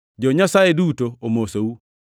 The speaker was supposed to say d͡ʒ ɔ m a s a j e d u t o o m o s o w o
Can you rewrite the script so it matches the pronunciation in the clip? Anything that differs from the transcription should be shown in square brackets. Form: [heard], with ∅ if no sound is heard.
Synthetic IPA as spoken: d͡ʒ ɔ [ɲ] a s a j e d u t o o m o s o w [u]